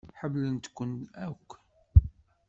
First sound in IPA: ħ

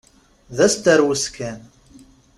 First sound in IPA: ð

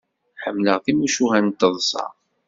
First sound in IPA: ħ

